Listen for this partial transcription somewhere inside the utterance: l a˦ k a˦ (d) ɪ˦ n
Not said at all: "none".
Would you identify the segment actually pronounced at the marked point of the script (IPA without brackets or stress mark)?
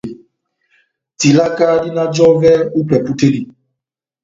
d